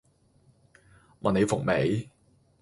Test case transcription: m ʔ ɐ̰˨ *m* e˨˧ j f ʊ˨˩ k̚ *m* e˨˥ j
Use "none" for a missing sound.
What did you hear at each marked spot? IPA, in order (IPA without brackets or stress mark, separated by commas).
n, m